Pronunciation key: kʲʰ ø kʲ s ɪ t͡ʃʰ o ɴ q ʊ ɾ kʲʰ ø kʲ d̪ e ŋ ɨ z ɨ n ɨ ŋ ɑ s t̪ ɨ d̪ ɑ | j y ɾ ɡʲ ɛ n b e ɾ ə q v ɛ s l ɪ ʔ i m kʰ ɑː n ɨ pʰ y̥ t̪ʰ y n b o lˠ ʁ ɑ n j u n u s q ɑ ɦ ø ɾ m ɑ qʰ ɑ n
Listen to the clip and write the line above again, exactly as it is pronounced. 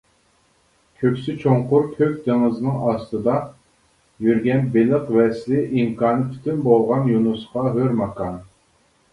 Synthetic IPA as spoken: kʲʰ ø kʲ s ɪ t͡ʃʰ o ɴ q ʊ ɾ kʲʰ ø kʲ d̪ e ŋ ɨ z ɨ n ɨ ŋ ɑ s t̪ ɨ d̪ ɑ | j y ɾ ɡʲ ɛ n b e l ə q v ɛ s l ɪ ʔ i m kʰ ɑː n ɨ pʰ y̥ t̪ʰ y n b o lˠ ʁ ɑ n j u n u s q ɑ ɦ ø ɾ m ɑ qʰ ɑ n